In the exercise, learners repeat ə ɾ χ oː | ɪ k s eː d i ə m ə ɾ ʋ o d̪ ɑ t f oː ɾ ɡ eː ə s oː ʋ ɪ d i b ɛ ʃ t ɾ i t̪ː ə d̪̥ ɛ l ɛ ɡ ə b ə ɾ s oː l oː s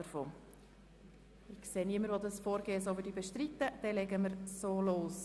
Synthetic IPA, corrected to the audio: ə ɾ f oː | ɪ k s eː n i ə m ə ɾ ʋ o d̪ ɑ s f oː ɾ ɡ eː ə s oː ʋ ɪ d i b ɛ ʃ t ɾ i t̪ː ə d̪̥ ɛ l ɛ ɡ ə m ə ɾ s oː l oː s